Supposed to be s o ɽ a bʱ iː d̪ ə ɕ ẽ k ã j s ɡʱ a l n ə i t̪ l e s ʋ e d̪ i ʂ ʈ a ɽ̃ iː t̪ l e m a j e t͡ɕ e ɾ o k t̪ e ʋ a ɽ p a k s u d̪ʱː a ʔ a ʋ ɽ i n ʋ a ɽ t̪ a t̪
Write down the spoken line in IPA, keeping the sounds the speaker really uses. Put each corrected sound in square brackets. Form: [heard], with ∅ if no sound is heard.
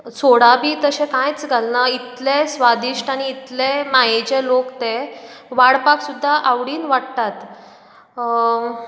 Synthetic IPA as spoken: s o ɽ a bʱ iː [t̪] ə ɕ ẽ k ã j [t͡s] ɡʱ a l n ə i t̪ l e s ʋ [a] d̪ i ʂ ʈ a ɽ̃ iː t̪ l e m a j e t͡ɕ e [l] o k t̪ e ʋ a ɽ p a k s u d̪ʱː a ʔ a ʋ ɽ [iː] n ʋ a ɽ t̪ a t̪

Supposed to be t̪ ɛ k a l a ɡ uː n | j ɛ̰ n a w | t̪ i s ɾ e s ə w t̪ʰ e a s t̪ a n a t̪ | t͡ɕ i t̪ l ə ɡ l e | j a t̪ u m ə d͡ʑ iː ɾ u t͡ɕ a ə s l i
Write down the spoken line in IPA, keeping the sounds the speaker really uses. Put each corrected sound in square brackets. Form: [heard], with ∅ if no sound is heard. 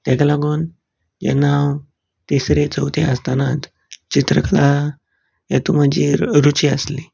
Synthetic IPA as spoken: t̪ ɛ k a l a ɡ uː n | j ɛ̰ n a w | t̪ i s ɾ e [t͡s] ə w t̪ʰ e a s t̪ a n a t̪ | t͡ɕ i t̪ [ɾ] ə [k] l [a] | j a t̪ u m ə d͡ʑ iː ɾ u t͡ɕ [i] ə s l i

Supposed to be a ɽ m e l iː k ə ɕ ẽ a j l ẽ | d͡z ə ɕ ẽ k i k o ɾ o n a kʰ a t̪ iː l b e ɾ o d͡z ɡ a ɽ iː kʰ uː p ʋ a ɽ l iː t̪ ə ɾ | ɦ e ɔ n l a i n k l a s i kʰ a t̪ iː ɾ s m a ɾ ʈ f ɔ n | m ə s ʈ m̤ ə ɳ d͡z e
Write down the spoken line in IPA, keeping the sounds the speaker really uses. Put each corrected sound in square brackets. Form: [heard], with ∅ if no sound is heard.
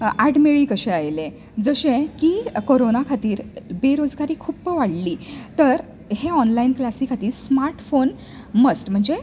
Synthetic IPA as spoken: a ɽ m e [ɭ] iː k ə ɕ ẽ a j l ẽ | d͡z ə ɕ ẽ k i k o ɾ o n a kʰ a t̪ iː [ɾ] b e ɾ o d͡z ɡ a [ɾ] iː kʰ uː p ʋ a ɽ l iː t̪ ə ɾ | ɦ e ɔ n l a i n k l a s i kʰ a t̪ iː ɾ s m a ɾ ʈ f [o] n | m ə s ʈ m̤ ə ɳ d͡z e

